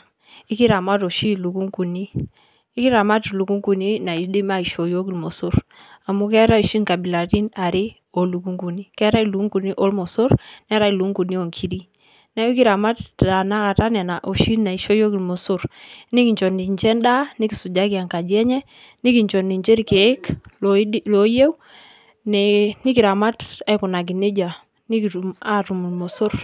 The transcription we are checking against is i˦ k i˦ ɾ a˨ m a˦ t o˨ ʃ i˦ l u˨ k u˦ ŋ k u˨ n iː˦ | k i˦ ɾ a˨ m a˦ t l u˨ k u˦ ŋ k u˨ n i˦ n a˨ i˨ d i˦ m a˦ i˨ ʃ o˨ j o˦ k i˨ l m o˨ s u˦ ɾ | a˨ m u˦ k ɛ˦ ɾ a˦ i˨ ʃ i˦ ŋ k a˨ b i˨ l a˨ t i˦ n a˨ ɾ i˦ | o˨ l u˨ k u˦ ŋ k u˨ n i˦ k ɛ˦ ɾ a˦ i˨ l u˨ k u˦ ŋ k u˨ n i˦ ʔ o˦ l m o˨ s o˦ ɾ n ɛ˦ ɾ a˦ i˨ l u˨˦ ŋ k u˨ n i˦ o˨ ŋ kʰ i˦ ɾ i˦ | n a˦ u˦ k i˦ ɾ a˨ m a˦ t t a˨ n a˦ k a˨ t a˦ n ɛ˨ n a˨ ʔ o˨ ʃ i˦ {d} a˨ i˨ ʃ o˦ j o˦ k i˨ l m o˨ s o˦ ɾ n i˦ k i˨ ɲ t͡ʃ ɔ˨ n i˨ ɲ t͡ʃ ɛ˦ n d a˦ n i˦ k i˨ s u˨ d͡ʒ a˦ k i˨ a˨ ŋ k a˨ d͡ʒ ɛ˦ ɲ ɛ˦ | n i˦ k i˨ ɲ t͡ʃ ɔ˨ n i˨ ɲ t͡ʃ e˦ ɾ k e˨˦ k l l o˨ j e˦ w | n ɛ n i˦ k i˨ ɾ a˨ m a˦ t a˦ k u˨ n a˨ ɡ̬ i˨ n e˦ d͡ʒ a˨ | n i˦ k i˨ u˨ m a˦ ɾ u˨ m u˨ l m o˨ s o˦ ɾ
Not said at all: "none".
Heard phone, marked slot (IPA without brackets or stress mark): n